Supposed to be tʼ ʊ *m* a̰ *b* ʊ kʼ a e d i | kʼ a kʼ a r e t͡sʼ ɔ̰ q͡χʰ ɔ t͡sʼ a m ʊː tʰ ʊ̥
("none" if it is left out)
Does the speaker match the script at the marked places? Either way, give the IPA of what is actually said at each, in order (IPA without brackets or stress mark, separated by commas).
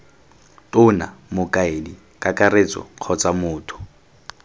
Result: n, m